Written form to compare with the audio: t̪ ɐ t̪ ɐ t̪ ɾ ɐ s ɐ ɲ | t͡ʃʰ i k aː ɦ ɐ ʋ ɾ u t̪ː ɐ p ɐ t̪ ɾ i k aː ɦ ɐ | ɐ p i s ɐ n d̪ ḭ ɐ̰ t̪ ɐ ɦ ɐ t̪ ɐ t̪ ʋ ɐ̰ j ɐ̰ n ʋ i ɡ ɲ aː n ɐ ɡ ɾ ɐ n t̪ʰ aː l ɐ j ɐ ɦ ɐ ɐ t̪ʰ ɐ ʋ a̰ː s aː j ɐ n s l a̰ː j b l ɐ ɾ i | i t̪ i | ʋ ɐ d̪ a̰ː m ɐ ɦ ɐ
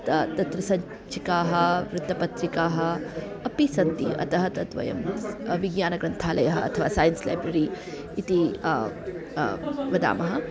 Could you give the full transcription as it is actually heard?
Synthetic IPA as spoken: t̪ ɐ t̪ ɐ t̪ ɾ ɐ s ɐ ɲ | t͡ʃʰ i k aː ɦ ɐ ʋ ɾ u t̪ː ɐ p ɐ t̪ ɾ i k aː ɦ ɐ | ɐ p i s ɐ n t̪ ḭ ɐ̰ t̪ ɐ ɦ ɐ t̪ ɐ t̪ ʋ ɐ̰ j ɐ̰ m ʋ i ɡ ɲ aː n ɐ ɡ ɾ ɐ n t̪ʰ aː l ɐ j ɐ ɦ ɐ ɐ t̪ʰ ɐ ʋ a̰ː s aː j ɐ n s l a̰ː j b ɾ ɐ ɾ i | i t̪ i | ʋ ɐ d̪ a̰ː m ɐ ɦ ɐ